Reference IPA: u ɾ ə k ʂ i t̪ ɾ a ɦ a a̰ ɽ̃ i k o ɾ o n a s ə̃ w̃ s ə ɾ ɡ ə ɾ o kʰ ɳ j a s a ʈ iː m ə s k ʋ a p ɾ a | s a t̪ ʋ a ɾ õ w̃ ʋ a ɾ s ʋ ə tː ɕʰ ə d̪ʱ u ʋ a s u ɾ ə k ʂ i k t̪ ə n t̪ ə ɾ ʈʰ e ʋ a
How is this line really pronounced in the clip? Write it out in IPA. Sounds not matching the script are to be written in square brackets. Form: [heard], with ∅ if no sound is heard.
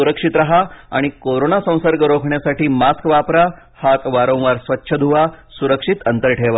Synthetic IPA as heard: u ɾ ə k ʂ i t̪ ɾ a ɦ a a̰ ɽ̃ i k o ɾ o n a s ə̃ w̃ s ə ɾ ɡ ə ɾ o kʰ ɳ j a s a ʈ iː m [a] s k ʋ a p ɾ a | [h] a t̪ ʋ a ɾ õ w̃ ʋ a ɾ s ʋ ə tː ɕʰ ə d̪ʱ u ʋ a s u ɾ ə k ʂ i [∅] t̪ ə n t̪ ə ɾ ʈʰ e ʋ a